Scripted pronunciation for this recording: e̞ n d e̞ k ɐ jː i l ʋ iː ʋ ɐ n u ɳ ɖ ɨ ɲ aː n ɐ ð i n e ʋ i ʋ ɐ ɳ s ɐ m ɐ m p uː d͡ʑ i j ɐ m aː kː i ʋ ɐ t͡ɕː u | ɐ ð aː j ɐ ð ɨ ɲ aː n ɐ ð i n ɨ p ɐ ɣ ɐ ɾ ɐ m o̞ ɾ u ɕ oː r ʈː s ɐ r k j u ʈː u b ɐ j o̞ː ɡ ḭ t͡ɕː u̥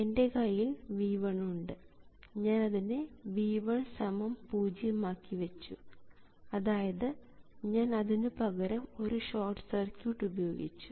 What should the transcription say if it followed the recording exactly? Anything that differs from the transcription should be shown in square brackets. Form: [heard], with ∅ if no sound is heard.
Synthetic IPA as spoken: e̞ n d e̞ k ɐ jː i l ʋ iː ʋ ɐ [ɳ] u ɳ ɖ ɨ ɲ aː n ɐ ð i n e ʋ [iː] ʋ ɐ ɳ s ɐ m ɐ m p uː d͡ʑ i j ɐ m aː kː i ʋ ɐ t͡ɕː u | ɐ ð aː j ɐ ð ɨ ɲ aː n ɐ ð i n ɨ p ɐ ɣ ɐ ɾ ɐ m o̞ ɾ u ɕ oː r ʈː s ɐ r k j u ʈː u b ɐ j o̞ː ɡ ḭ t͡ɕː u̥